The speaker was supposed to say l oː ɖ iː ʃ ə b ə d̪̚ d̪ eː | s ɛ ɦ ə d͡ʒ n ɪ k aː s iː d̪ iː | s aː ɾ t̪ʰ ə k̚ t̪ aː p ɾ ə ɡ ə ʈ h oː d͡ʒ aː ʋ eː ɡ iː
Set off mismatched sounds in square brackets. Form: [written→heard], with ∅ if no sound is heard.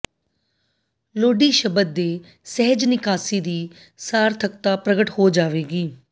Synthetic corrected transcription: l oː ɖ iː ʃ ə b ə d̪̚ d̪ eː | s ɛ ɦ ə d͡ʒ n ɪ k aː s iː d̪ iː | s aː ɾ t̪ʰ ə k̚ t̪ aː p ɾ ə ɡ ə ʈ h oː d͡ʒ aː ʋ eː ɡ iː